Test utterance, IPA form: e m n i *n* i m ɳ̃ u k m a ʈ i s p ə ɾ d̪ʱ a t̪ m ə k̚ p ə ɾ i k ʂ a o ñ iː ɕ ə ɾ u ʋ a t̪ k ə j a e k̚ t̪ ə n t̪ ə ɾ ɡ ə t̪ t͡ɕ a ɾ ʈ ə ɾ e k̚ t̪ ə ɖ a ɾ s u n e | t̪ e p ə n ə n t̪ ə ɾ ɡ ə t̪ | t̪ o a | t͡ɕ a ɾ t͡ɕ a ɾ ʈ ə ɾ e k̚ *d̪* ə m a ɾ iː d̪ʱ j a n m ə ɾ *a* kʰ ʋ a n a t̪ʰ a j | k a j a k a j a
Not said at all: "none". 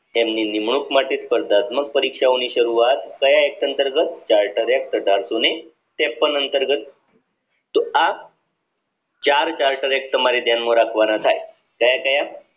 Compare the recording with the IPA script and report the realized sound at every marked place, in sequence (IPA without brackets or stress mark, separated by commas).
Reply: n, t̪, a